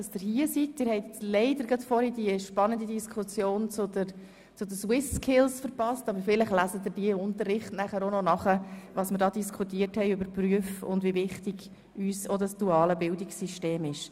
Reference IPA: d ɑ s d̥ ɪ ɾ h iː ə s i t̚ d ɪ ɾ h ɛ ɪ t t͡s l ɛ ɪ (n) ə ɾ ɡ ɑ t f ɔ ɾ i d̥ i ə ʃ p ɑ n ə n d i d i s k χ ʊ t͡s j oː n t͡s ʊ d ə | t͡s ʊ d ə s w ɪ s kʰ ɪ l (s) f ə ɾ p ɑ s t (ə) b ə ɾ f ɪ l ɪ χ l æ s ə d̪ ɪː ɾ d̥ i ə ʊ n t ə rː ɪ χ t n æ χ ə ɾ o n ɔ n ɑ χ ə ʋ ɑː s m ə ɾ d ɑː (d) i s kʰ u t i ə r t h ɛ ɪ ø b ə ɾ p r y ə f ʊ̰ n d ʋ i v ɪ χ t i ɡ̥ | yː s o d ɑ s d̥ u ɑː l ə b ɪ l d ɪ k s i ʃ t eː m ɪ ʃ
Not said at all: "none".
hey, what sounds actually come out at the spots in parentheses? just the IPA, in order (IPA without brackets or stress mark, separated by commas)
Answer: d, s, ɑ, d